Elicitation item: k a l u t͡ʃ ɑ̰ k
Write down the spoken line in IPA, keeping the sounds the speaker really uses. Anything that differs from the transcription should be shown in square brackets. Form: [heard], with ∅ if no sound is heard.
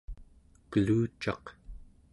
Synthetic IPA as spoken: k [ə] l [uː] t͡ʃ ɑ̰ [q]